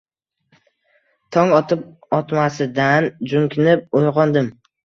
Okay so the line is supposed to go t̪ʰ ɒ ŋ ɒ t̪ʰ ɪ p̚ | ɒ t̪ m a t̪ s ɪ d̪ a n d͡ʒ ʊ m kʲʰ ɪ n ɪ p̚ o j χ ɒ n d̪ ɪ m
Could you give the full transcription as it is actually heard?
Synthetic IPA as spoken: t̪ʰ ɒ ŋ ɒ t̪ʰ ɪ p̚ | ɒ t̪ m a s ɪ d̪ a n d͡ʒ ʊ ŋ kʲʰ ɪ n ɪ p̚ o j ʁ ɒ n d̪ ɪ m